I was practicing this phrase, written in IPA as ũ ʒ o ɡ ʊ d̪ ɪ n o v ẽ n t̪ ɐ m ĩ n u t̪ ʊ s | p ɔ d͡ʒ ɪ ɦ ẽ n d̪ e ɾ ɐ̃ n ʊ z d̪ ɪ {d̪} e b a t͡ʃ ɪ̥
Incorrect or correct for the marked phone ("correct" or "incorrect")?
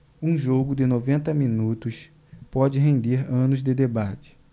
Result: correct